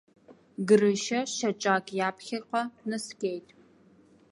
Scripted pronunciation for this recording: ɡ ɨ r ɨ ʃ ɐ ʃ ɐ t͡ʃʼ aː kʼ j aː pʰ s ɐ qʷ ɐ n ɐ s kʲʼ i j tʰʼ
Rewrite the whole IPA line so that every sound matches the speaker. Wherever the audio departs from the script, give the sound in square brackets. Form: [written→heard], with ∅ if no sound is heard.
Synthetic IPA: ɡ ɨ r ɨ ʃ ɐ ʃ ɐ t͡ʃʼ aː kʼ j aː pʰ [s→x] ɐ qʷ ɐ n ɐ s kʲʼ [i→e] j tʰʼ